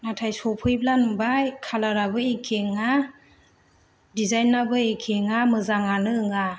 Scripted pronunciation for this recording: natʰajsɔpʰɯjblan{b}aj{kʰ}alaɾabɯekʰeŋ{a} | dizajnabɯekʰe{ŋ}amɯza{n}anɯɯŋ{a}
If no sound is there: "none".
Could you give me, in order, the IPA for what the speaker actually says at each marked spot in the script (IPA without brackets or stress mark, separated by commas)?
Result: b, kʰ, a, ŋ, ŋ, a